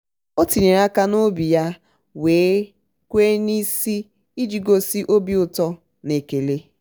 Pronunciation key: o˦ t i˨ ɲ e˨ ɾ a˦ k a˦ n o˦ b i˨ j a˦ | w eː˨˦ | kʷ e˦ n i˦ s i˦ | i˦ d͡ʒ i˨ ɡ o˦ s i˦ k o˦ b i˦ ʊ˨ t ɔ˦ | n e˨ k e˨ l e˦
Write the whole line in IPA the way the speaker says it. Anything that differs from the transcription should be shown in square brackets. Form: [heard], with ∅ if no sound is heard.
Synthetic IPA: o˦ t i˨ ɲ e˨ ɾ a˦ k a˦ n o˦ b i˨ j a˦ | w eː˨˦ | kʷ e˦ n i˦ s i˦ | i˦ d͡ʒ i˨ ɡ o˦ s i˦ [ʔ] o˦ b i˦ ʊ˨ t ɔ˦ | n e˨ k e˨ l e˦